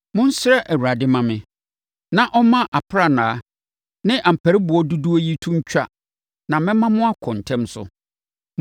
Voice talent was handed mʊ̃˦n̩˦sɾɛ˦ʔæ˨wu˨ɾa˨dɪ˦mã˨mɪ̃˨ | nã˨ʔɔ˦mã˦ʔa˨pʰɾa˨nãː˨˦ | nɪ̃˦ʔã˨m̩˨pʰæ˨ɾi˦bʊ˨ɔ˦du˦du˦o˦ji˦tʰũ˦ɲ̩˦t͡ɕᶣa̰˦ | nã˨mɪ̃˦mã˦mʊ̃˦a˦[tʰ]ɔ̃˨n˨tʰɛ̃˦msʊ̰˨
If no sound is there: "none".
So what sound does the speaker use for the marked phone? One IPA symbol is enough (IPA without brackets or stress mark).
kʰ